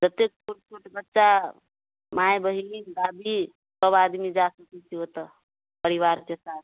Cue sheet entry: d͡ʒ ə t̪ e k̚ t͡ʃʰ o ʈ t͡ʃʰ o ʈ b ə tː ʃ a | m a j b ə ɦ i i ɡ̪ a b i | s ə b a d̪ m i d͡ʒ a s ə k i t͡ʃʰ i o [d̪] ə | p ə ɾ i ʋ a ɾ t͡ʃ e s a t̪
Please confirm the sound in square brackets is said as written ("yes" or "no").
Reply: no